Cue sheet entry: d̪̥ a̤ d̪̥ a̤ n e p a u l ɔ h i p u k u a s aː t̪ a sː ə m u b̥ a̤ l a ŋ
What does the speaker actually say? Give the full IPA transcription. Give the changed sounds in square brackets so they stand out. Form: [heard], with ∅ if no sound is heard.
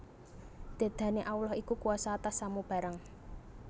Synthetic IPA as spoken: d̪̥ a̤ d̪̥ a̤ n e [ʔ] a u l ɔ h i [k] u k u a s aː t̪ a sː [a] m u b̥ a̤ [ɾ] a ŋ